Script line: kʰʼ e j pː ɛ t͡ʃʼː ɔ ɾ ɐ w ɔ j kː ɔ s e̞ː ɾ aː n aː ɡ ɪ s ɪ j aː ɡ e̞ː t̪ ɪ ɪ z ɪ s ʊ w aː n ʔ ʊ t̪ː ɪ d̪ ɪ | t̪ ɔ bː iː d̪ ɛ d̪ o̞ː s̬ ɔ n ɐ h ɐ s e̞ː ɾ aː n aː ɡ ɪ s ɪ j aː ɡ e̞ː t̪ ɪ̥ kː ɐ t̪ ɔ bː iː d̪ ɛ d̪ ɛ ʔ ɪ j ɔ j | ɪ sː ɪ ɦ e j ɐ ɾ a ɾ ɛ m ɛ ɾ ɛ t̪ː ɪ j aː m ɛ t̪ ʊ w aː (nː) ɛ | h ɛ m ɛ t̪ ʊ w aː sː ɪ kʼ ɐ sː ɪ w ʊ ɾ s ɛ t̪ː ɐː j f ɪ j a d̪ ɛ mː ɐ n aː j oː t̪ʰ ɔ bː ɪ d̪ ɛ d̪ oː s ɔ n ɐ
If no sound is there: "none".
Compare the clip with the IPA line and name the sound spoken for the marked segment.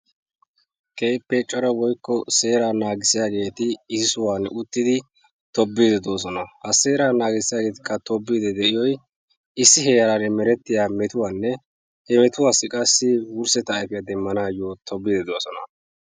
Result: nː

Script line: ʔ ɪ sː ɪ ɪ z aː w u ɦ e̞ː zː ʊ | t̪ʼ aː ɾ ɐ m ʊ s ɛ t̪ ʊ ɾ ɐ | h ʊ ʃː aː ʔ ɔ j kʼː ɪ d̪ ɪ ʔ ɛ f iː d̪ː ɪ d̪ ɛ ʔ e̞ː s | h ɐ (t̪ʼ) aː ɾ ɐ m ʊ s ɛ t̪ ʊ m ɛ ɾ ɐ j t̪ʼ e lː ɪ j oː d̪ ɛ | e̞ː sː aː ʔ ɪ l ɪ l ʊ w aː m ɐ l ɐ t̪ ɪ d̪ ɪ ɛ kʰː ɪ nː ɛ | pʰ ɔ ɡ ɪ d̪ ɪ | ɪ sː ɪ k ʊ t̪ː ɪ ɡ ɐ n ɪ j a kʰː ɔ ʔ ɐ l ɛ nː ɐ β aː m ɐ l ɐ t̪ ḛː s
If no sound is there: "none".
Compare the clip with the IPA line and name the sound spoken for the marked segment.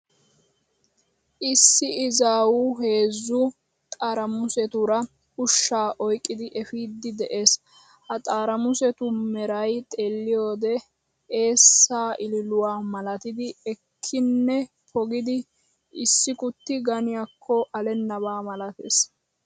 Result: t̪ʼ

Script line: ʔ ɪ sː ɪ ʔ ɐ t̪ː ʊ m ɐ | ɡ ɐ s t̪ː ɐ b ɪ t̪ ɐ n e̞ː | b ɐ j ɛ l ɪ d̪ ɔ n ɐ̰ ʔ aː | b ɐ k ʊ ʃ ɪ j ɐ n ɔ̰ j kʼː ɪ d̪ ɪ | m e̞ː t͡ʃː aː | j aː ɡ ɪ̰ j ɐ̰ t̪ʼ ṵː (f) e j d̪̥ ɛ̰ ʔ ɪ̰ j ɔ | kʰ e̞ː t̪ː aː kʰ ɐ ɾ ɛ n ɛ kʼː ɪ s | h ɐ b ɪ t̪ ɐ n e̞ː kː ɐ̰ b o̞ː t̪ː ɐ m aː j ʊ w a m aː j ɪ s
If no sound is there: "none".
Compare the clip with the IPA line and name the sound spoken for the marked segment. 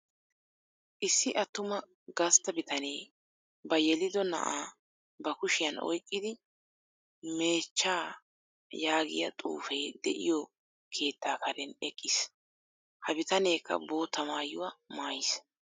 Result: f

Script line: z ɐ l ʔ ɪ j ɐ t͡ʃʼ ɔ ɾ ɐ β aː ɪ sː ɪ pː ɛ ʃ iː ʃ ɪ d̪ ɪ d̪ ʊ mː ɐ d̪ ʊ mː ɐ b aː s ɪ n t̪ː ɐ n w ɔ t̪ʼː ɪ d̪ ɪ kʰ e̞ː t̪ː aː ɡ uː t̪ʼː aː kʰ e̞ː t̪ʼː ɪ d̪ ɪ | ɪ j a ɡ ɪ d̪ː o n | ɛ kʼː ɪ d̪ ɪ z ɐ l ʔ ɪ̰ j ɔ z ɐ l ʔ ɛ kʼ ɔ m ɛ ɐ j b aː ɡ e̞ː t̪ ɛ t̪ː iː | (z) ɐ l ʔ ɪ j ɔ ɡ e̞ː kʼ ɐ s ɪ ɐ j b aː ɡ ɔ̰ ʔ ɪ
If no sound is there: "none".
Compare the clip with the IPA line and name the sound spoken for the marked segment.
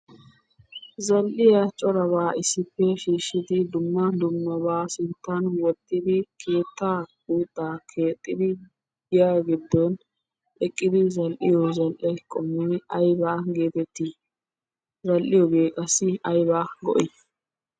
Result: z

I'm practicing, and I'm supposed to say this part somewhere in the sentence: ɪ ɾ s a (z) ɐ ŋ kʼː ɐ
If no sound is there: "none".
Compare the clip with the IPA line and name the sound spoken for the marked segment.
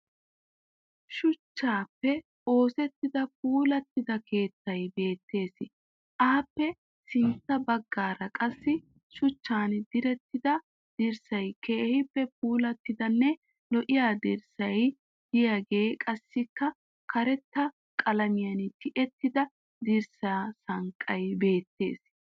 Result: s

